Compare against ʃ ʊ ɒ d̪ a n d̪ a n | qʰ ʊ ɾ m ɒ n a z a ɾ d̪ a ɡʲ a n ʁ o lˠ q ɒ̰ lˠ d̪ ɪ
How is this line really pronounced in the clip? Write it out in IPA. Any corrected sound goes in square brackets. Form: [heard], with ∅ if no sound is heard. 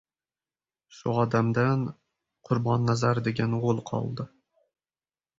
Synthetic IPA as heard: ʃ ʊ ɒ d̪ a [m] d̪ a n | qʰ ʊ ɾ [b] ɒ [nː] a z a ɾ d̪ [e] ɡʲ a n ʁ o lˠ [qʰ] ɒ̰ lˠ d̪ ɪ